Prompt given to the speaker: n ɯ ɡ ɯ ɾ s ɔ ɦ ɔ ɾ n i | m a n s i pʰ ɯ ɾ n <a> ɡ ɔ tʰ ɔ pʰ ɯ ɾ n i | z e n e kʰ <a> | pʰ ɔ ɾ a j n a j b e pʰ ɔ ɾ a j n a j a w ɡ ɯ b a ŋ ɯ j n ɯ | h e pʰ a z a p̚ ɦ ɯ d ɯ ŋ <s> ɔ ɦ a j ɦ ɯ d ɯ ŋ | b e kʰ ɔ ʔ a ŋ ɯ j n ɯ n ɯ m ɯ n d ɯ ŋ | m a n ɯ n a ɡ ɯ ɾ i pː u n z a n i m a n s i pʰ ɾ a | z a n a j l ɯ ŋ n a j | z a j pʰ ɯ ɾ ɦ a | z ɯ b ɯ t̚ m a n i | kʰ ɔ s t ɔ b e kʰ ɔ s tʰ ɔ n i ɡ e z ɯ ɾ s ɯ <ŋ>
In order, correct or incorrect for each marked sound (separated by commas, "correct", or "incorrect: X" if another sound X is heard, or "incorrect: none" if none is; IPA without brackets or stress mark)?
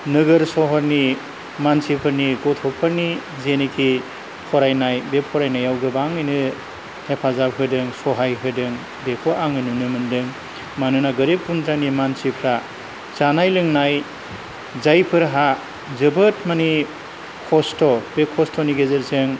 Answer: incorrect: i, incorrect: i, correct, correct